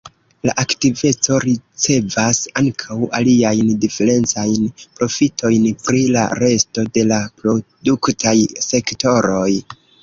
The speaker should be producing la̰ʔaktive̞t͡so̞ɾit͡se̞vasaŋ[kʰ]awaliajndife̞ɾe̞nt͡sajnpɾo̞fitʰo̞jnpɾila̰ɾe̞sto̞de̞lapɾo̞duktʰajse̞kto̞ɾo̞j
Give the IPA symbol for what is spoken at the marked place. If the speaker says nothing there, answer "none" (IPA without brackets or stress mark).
kʰ